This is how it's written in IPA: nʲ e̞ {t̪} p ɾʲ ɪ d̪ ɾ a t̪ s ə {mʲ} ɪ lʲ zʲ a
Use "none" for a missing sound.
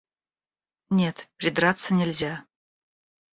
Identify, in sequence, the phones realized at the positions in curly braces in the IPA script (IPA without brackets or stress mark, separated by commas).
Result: t̪, nʲ